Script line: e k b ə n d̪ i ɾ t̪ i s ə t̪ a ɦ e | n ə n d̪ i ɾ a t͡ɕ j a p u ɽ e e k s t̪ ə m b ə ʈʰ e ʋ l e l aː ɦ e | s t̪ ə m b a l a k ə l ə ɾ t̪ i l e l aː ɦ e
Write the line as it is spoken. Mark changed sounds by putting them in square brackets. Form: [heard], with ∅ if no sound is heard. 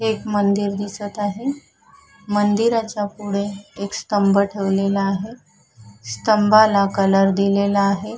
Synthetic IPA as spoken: e k [m] ə n d̪ i ɾ [d̪] i s ə t̪ a ɦ e | [m] ə n d̪ i ɾ a t͡ɕ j a p u ɽ e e k s t̪ ə m b ə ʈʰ e ʋ l e l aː ɦ e | s t̪ ə m b a l a k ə l ə ɾ [d̪] i l e l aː ɦ e